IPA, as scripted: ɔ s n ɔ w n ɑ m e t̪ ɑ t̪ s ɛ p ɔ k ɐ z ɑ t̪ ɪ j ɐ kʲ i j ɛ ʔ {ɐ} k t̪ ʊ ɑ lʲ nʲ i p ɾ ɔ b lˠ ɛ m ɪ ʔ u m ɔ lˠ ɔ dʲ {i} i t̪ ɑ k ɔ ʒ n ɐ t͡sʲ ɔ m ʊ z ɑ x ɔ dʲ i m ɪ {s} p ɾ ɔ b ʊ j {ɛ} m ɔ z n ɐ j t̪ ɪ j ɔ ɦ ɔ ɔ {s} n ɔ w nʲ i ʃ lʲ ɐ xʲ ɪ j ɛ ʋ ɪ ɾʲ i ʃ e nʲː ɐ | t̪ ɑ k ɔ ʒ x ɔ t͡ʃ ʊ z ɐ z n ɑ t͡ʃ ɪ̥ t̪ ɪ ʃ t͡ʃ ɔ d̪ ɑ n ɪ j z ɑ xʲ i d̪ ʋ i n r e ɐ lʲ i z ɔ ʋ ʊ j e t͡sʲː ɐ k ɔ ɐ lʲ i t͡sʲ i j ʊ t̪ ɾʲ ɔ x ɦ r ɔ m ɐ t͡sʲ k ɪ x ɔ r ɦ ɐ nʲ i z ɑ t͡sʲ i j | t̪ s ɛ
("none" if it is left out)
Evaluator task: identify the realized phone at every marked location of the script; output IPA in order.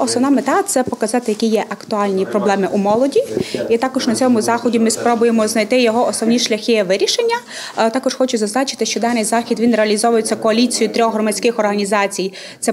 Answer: ɐ, i, s, e, s

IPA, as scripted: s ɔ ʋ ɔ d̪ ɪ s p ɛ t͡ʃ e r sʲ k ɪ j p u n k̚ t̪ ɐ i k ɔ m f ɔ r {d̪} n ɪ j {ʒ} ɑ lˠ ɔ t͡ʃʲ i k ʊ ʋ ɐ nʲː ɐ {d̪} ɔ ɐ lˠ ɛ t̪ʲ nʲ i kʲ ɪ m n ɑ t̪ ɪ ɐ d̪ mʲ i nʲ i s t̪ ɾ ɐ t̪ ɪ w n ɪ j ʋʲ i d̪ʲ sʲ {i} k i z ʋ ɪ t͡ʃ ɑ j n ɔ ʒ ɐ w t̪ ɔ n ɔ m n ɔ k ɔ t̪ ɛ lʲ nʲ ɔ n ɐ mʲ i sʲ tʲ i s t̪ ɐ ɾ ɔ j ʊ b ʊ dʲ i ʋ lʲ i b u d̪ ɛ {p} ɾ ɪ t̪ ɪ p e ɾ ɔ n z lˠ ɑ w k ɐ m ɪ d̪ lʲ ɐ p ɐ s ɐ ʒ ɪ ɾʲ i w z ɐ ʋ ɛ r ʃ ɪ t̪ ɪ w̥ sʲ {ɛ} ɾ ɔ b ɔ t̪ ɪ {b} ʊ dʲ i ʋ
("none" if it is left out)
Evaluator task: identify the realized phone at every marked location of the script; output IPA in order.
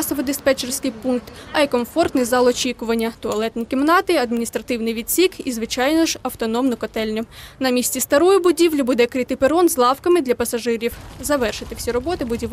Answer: t̪, z, t̪, i, k, i, b

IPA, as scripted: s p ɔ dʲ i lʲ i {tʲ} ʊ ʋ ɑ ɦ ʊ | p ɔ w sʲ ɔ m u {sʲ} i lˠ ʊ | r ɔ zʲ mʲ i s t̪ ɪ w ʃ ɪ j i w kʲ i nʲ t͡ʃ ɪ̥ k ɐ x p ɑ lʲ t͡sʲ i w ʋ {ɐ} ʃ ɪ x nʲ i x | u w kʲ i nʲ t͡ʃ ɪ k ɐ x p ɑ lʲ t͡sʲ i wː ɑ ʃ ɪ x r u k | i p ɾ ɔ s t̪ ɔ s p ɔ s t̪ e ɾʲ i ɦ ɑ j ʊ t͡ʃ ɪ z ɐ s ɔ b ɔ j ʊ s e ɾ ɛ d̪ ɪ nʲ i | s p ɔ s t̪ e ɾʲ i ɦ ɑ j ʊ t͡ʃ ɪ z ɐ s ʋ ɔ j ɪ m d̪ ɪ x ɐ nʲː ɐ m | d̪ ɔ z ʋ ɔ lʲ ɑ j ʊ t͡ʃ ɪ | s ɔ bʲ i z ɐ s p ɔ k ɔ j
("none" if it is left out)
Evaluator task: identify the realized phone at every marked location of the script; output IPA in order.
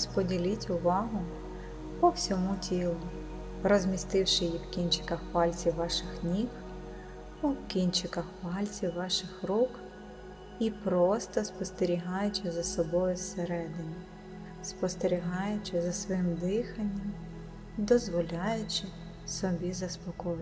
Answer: tʲ, tʲ, ɑ

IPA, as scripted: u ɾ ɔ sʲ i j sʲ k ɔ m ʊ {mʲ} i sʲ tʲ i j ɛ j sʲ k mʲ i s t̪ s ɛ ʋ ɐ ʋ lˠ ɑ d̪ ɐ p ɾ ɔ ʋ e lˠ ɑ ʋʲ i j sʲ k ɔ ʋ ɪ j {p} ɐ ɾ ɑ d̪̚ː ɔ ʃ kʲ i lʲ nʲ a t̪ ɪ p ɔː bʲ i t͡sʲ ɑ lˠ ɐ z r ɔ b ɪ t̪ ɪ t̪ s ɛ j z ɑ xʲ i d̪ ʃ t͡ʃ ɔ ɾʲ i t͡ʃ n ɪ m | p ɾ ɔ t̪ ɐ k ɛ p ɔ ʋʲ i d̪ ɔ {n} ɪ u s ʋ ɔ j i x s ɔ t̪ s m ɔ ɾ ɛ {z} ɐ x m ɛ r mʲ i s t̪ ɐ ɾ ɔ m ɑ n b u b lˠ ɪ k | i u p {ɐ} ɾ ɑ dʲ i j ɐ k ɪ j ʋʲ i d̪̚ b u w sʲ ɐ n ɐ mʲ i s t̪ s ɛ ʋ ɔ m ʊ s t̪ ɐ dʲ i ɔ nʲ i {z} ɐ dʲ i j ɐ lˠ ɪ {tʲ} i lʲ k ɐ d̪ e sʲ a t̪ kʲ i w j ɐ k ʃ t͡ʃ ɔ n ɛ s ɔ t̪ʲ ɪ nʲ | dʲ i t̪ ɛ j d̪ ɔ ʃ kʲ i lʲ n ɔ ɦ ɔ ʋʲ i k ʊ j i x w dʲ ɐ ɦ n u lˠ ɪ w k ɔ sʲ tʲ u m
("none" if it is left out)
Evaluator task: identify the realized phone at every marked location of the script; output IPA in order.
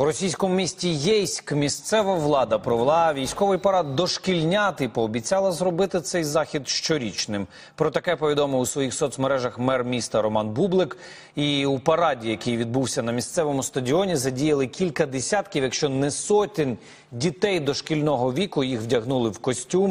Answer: mʲ, p, m, ʒ, ɐ, z, kʲ

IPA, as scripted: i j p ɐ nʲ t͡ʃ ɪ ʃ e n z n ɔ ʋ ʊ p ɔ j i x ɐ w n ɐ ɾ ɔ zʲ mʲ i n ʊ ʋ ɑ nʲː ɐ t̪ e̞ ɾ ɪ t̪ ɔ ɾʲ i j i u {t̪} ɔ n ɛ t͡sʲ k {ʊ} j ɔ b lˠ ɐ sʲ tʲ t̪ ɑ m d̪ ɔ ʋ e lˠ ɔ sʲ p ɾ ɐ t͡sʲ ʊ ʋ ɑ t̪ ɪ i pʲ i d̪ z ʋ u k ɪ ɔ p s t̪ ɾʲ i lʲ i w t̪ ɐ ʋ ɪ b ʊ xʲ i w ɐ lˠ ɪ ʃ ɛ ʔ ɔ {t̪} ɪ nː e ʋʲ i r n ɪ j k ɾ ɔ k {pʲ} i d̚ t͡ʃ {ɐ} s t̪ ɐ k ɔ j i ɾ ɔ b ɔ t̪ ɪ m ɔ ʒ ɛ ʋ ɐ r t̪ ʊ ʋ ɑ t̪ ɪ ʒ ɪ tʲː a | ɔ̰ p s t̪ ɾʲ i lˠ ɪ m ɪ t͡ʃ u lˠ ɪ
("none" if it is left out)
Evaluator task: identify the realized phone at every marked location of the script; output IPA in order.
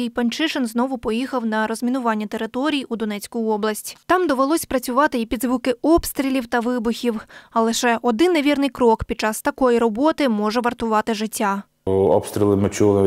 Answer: d̪, ʊ, d̪, pʲ, ɑ

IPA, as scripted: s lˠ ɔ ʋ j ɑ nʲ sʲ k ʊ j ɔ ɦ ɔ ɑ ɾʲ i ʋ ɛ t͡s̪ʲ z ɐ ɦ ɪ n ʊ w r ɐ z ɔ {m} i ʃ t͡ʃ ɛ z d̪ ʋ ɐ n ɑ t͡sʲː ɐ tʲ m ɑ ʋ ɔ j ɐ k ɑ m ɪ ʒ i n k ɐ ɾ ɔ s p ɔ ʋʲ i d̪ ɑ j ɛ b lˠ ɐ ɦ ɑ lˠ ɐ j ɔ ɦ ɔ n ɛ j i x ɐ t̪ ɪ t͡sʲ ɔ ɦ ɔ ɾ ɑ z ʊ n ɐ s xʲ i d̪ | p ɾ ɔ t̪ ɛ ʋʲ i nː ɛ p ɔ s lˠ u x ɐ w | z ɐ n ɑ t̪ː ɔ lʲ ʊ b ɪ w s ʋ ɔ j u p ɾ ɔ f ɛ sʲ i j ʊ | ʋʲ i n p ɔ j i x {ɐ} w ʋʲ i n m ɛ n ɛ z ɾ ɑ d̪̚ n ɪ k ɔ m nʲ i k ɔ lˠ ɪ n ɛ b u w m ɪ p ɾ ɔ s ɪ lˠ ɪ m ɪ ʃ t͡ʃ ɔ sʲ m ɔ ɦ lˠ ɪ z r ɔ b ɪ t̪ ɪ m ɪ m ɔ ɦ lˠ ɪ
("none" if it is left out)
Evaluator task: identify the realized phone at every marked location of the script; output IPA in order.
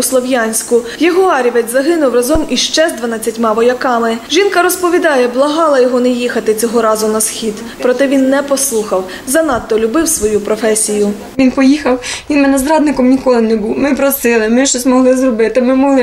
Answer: m, ɐ

